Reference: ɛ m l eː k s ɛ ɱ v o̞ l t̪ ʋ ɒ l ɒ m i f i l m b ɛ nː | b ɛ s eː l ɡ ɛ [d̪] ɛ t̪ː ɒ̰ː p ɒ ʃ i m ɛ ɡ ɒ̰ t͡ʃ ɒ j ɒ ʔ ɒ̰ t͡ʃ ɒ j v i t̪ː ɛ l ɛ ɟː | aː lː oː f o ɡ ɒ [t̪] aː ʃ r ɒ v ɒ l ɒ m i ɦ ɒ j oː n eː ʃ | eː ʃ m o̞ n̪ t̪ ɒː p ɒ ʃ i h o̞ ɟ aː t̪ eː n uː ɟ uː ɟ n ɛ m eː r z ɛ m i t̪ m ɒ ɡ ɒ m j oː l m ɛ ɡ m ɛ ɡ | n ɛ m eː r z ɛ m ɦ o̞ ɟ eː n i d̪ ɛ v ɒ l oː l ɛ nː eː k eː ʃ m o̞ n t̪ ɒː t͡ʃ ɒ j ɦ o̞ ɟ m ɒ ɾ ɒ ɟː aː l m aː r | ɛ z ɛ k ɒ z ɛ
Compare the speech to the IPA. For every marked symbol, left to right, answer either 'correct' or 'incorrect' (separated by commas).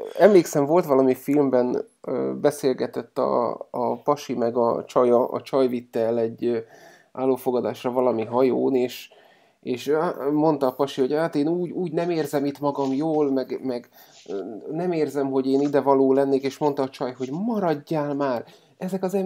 incorrect, incorrect